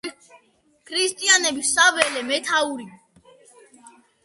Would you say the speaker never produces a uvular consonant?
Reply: yes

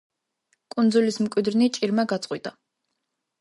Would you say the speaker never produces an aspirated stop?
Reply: yes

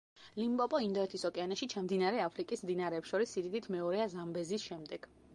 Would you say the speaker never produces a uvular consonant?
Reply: yes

